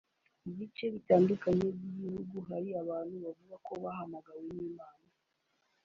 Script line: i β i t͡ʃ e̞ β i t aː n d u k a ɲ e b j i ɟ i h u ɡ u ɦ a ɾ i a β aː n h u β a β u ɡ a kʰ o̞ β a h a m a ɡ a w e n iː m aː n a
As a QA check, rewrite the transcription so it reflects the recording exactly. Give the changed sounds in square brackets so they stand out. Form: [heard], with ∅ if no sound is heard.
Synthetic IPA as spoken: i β i t͡ʃ e̞ β i t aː n d u k a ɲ e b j i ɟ i h u ɡ u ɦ a ɾ i a β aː n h u β a [v] u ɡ a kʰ o̞ β a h a m a ɡ a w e n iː m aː n a